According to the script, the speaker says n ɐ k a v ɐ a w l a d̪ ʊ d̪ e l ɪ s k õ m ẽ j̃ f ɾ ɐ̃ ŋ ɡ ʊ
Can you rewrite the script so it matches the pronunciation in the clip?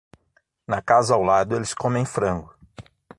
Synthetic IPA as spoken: n ɐ k a z ɐ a w l a d̪ ʊ e l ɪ s k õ m ẽ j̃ f ɾ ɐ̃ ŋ ɡ ʊ

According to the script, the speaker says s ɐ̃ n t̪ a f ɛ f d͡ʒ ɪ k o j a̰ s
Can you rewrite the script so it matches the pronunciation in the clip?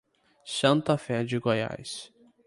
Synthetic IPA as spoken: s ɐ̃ n t̪ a f ɛ d͡ʒ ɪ ɡ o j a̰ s

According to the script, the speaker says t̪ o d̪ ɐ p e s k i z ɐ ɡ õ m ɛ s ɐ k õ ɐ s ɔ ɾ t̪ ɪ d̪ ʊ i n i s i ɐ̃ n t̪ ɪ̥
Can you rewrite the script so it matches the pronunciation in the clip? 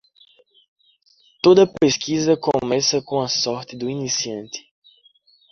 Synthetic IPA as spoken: t̪ o d̪ ɐ p e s k i z ɐ k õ m ɛ s ɐ k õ ɐ s ɔ ɾ t̪ ɪ d̪ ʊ i n i s i ɐ̃ n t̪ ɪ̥

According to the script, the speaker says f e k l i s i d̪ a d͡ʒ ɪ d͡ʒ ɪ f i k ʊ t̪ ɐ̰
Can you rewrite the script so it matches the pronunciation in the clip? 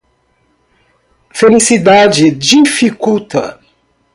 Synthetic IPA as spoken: f e l i s i d̪ a d͡ʒ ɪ d͡ʒ i f i k u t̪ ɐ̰

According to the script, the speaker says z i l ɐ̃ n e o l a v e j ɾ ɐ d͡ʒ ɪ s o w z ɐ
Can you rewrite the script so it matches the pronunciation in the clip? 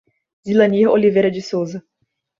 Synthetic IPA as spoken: z i l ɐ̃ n i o l i v e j ɾ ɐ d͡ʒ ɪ s o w z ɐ

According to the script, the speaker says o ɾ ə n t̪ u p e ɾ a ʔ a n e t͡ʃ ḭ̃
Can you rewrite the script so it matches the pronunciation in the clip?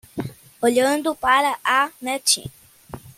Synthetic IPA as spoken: o ʎ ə n d̪ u p a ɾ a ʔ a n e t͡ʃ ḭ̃

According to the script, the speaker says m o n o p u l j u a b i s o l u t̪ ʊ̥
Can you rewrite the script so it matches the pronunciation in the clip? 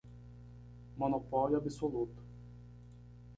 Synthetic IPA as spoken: m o n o p ɔ l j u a b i s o l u t̪ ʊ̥

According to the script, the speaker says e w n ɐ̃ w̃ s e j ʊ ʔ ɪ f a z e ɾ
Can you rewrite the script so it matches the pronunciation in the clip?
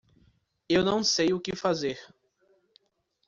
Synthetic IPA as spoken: e w n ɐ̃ w̃ s e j ʊ k ɪ f a z e ɾ

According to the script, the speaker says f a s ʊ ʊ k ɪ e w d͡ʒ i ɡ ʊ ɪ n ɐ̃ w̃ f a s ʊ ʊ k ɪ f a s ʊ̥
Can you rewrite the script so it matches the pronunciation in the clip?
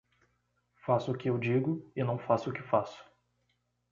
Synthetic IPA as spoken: f a s ʊ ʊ k ɪ e w d͡ʒ i ɡ ʊ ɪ n ɐ̃ w̃ f a s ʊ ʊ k ɪ f a s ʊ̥

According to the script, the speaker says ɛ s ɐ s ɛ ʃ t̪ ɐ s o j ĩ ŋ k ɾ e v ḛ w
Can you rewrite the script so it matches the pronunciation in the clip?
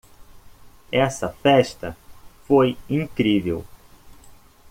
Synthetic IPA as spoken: ɛ s ɐ f ɛ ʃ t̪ ɐ f o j ĩ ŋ k ɾ i v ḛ w

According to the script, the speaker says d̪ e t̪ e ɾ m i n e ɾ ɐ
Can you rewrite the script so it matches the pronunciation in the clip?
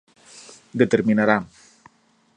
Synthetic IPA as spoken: d̪ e t̪ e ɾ m i n a ɾ a

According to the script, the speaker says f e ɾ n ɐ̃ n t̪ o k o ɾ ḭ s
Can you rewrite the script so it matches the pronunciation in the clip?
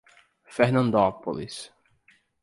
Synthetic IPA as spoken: f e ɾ n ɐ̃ n d̪ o p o l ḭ s

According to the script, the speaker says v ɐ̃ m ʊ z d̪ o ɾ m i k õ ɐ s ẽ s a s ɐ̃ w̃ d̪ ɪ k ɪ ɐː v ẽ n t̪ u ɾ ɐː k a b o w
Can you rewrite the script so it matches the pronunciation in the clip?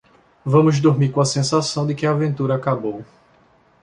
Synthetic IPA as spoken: v ɐ̃ m ʊ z d̪ o ɾ m i k õ ɐ s ẽ s a s ɐ̃ w̃ d̪ ɪ k ɪ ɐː v ẽ n t̪ u ɾ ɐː k a b o w

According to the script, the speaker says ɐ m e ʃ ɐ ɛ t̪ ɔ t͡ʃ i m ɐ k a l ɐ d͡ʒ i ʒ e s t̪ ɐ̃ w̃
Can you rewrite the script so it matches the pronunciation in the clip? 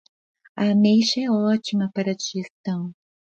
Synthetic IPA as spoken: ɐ m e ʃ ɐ ɛ ɔ t͡ʃ i m ɐ p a ɾ ɐ d͡ʒ i ʒ e s t̪ ɐ̃ w̃

